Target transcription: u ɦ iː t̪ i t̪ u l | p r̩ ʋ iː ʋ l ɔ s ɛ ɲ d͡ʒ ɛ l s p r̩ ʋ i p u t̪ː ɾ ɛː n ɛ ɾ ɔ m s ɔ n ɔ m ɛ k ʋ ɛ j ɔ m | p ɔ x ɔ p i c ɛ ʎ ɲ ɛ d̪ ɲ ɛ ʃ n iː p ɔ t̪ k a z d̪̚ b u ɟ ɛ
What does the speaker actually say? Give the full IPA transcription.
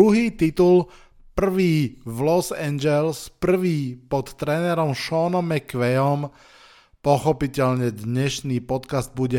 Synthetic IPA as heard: u ɦ iː t̪ i t̪ u l | p r̩ ʋ iː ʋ l ɔ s ɛ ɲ d͡ʒ ɛ l s p r̩ ʋ iː p ɔ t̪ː ɾ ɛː n ɛ ɾ ɔ m ʃ ɔ n ɔ m ɛ k ʋ ɛ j ɔ m | p ɔ x ɔ p i c ɛ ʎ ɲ ɛ d̪ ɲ ɛ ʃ n iː p ɔ t̪ k a z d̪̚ b u ɟ ɛ